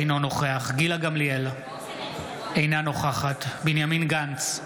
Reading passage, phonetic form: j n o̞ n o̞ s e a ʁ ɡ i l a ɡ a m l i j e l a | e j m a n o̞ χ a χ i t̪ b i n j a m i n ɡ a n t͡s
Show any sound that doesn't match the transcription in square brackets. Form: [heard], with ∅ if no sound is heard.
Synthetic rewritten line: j n o̞ n o̞ [χ] e a [χ] ɡ i l a ɡ a m l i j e l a | e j [n] a n o̞ χ a χ [a] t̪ b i n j a m i n ɡ a n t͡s